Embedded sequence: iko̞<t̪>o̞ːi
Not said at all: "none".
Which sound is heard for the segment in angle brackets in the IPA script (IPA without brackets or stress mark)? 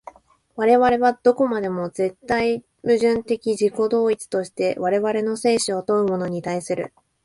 d̪